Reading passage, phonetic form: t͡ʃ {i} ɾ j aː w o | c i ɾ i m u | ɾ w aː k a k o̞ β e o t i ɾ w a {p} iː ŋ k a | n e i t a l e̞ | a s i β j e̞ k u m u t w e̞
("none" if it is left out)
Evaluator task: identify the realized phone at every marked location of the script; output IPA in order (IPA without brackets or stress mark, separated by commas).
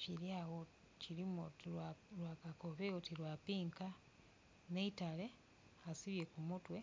i, p